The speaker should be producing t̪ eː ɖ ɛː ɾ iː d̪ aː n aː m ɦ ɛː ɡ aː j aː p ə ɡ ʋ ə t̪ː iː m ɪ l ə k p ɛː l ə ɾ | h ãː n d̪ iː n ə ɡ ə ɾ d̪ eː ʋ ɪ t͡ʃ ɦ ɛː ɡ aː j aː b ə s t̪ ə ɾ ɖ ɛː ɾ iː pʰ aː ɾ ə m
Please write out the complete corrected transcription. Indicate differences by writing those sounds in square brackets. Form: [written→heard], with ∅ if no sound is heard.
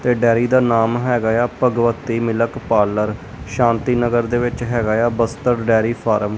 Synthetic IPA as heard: t̪ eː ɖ ɛː ɾ iː d̪ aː n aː m ɦ ɛː ɡ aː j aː p ə ɡ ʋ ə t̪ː iː m ɪ l ə k p [ɛː→aː] l ə ɾ | [h→ʃ] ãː n [d̪→t̪] iː n ə ɡ ə ɾ d̪ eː ʋ ɪ t͡ʃ ɦ ɛː ɡ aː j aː b ə s t̪ ə ɾ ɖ ɛː ɾ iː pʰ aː ɾ ə m